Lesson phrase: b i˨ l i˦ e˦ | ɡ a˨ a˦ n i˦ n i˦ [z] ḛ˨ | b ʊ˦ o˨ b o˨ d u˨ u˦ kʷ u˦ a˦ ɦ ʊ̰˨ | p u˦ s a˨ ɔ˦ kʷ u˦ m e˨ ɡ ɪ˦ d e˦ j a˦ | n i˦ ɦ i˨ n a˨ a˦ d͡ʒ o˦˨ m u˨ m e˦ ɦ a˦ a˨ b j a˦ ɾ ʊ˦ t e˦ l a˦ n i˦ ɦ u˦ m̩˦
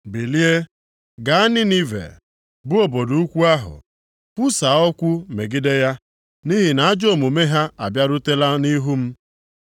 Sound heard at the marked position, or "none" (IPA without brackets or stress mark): v